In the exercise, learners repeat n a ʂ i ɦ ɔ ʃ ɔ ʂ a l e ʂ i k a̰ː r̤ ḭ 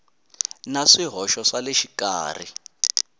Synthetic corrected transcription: n a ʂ i ɦ ɔ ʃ ɔ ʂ a l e ʃ i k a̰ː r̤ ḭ